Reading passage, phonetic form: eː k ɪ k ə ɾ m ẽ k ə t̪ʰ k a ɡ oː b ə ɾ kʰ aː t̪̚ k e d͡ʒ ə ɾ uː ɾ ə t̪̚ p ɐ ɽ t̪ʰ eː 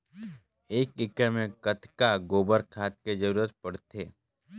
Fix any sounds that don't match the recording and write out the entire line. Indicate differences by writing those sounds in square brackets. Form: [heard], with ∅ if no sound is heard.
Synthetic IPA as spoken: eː k ɪ k ə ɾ m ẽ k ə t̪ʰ k a ɡ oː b ə ɾ kʰ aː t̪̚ k e d͡ʒ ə ɾ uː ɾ ə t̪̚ p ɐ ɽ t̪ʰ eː